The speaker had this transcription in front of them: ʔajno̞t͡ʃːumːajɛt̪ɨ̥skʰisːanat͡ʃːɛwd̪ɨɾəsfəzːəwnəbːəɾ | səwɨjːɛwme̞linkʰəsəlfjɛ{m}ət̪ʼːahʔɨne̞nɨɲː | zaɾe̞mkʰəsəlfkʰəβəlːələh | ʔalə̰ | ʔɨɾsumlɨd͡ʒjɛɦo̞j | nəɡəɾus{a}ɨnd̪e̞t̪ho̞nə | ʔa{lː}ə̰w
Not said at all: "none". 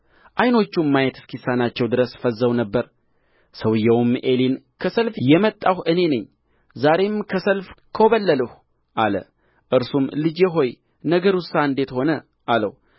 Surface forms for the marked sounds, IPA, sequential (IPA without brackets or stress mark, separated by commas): m, a, l